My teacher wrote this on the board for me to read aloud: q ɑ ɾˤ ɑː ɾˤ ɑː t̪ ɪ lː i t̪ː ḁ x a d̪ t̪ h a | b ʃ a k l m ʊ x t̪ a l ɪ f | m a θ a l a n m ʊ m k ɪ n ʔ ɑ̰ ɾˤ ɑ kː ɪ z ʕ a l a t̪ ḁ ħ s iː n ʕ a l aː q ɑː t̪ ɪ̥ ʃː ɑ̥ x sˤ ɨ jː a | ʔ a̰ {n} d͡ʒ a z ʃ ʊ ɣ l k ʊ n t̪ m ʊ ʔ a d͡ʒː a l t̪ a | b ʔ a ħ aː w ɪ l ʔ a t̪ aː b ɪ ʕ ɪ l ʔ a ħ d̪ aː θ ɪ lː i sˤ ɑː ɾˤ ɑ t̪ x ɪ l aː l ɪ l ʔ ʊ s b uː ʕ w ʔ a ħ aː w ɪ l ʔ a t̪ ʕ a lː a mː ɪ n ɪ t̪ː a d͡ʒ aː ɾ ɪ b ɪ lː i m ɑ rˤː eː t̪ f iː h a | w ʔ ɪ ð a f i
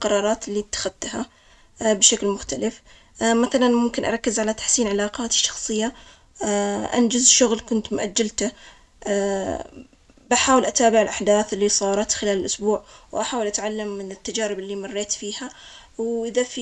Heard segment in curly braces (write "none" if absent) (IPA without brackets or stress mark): n